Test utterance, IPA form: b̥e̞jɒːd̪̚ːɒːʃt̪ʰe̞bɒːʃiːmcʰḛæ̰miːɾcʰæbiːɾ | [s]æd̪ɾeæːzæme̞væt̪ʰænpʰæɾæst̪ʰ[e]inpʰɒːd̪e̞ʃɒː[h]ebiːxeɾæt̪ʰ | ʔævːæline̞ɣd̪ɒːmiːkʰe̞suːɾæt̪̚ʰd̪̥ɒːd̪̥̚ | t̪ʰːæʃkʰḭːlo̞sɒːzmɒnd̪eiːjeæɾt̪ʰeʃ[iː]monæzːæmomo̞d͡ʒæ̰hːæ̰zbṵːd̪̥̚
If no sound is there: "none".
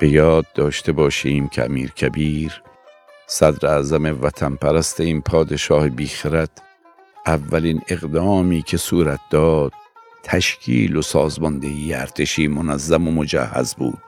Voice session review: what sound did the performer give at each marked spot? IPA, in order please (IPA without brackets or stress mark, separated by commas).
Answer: s, e, h, iː